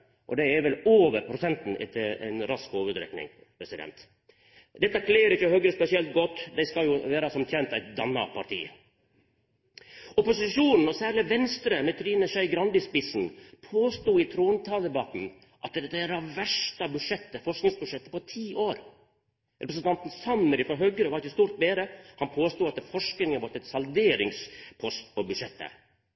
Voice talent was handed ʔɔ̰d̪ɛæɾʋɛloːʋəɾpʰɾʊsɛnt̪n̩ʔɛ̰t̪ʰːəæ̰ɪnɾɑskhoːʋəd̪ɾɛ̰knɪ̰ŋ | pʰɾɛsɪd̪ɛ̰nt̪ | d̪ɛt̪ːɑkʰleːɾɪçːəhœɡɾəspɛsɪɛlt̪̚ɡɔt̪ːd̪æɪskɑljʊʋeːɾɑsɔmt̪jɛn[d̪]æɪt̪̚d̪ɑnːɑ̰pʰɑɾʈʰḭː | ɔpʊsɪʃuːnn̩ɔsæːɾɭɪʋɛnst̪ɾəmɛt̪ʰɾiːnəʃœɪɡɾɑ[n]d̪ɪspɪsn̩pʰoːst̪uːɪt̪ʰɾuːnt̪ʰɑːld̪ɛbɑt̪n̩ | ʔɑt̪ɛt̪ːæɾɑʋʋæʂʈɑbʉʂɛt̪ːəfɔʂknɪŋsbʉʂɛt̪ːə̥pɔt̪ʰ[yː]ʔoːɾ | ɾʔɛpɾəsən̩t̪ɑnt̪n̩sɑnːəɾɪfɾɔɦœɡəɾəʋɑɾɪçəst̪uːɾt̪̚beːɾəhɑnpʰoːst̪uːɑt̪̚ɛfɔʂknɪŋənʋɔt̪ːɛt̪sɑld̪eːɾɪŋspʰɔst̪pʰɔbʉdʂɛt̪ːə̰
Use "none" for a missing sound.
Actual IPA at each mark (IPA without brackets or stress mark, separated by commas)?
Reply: t̪, n, iː